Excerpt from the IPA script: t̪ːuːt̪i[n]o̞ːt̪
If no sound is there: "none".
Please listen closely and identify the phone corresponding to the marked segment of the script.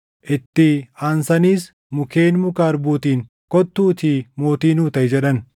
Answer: m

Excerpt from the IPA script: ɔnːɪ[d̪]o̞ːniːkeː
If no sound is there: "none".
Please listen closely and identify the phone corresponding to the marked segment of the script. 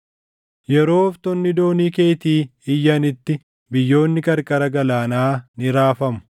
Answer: d̪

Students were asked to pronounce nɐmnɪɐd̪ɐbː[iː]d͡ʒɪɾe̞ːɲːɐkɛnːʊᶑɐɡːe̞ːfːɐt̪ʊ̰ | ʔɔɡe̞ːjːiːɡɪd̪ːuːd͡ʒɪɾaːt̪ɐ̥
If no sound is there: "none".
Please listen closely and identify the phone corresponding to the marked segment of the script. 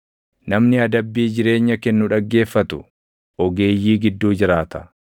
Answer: iː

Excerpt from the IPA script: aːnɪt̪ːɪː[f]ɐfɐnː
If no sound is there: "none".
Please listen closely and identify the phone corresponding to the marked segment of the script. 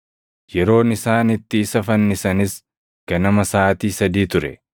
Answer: s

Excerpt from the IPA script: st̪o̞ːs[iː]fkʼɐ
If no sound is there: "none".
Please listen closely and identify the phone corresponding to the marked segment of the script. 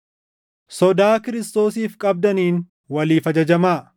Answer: iː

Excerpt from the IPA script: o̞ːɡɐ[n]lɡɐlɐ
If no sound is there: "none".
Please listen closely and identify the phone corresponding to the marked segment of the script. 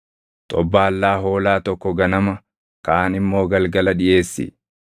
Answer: none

